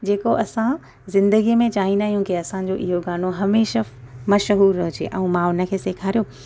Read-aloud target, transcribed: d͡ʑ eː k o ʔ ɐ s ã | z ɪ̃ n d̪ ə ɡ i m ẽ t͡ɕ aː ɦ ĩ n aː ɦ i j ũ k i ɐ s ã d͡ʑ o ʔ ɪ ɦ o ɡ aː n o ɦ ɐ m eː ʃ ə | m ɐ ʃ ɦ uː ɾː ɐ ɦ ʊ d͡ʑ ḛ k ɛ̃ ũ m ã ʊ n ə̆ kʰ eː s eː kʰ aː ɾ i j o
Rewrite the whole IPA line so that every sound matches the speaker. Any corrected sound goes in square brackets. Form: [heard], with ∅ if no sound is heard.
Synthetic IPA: d͡ʑ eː k o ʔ ɐ s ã | z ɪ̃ n d̪ ə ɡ i m ẽ t͡ɕ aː ɦ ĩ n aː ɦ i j ũ k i ɐ s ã d͡ʑ o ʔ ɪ ɦ o ɡ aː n o ɦ ɐ m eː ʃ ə | m ɐ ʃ ɦ uː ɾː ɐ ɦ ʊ d͡ʑ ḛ [ʔ] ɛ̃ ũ m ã ʊ n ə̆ kʰ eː s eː kʰ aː ɾ i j o